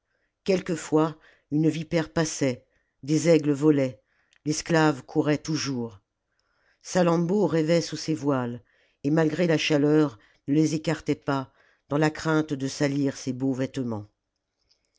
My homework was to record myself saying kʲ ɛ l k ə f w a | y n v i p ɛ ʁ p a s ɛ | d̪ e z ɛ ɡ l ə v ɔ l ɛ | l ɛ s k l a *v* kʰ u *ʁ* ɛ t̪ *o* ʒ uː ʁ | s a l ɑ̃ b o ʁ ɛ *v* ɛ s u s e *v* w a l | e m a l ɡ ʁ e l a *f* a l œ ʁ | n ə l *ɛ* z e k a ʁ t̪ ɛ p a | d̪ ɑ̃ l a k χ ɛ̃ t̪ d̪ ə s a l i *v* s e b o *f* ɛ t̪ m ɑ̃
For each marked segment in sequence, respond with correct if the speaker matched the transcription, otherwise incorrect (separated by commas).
correct, correct, incorrect, correct, correct, incorrect, incorrect, incorrect, incorrect